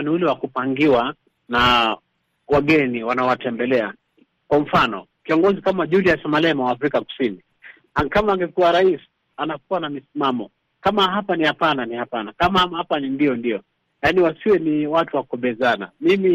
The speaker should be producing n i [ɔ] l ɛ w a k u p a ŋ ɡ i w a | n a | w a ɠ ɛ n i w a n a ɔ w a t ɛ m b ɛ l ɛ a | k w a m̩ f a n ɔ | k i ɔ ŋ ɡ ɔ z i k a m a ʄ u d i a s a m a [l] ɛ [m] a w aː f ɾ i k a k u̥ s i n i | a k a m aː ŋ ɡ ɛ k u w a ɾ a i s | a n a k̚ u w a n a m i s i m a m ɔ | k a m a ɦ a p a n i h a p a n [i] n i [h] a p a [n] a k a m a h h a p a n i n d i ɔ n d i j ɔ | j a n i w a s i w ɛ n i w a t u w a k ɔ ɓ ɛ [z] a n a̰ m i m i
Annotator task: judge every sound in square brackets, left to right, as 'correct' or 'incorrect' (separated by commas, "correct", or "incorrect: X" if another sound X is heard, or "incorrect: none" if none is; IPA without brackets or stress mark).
incorrect: u, correct, correct, incorrect: a, correct, correct, correct